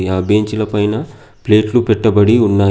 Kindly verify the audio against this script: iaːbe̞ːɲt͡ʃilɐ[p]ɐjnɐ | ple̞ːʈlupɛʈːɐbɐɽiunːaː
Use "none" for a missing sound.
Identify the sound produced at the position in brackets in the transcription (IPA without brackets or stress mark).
p